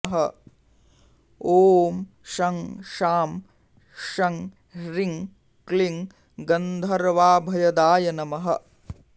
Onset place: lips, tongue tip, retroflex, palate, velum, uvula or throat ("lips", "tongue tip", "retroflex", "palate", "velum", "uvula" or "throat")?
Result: throat